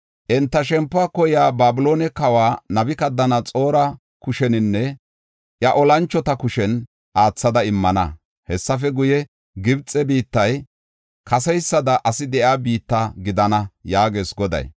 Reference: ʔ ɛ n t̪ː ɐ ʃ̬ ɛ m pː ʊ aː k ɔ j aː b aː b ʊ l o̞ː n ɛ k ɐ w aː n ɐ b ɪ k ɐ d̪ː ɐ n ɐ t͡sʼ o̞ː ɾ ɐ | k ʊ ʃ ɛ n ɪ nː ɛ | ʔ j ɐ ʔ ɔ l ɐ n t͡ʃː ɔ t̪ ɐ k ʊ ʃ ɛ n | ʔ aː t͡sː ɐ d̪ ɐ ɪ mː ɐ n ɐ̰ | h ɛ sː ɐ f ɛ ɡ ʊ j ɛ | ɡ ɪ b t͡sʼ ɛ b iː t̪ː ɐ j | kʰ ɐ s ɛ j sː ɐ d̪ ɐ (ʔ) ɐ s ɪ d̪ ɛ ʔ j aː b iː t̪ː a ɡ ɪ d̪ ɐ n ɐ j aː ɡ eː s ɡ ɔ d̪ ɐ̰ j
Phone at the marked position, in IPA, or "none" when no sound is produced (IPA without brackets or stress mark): ʔ